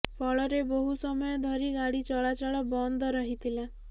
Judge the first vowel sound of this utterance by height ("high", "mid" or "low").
mid